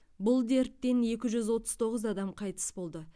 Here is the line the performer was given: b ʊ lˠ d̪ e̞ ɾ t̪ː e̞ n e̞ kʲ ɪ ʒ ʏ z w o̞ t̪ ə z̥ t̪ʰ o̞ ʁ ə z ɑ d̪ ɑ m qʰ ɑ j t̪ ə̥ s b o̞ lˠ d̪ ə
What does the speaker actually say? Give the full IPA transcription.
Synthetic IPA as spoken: b ʊ lˠ d̪ e̞ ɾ t̪ː e̞ n e̞ kʲ ɪ ʒ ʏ z w o̞ t̪ ə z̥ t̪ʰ o̞ ʁ ə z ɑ d̪ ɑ m qʰ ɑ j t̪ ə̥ s b o̞ lˠ d̪ ə

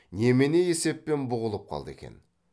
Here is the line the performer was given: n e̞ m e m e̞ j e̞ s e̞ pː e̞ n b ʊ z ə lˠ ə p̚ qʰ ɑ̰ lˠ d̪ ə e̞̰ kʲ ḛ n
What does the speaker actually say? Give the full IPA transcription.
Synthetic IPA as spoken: n e̞ m e n e̞ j e̞ s e̞ pː e̞ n b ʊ ʁ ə lˠ ə p̚ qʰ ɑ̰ lˠ d̪ ə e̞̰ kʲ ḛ n

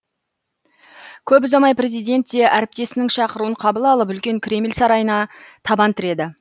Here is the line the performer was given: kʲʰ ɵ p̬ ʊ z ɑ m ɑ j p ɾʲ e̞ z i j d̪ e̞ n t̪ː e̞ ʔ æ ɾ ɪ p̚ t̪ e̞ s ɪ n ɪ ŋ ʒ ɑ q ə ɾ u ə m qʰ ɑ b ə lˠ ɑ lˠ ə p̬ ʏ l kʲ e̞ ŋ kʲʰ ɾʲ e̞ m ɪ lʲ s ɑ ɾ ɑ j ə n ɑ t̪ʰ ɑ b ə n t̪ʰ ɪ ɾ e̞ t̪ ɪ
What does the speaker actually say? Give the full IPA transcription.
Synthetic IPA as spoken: kʲʰ ɵ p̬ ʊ z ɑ m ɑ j p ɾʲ e̞ z i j d̪ e̞ n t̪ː e̞ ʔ æ ɾ ɪ p̚ t̪ e̞ s ɪ n ɪ ŋ ʃ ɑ q ə ɾ u ə ɴ qʰ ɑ b ə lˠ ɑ lˠ ə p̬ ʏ l kʲ e̞ ŋ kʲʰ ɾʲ e̞ m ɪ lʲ s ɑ ɾ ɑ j ə n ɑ t̪ʰ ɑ b ɑ n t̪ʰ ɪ ɾ e̞ d̪ ɪ

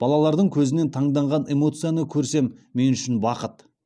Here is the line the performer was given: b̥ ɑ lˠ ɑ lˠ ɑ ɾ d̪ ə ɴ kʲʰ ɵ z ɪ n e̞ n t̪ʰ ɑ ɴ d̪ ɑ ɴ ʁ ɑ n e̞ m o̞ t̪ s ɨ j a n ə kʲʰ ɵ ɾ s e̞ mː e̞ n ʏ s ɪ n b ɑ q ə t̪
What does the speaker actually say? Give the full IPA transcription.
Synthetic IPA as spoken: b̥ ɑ lˠ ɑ lˠ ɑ ɾ d̪ ə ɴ kʲʰ ɵ z ɪ n e̞ n t̪ʰ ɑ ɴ d̪ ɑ ɴ ʁ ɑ n e̞ m o̞ t̪ s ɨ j a n ə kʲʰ ɵ ɾ s e̞ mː e̞ n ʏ ʃ ɪ n b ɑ q ə t̪

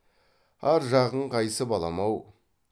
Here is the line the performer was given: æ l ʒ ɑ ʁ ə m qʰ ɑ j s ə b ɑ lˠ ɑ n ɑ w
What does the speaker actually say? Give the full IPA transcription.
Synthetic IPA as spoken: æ ɾ ʒ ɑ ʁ ə ɴ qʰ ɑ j s ə b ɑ lˠ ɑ m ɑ w

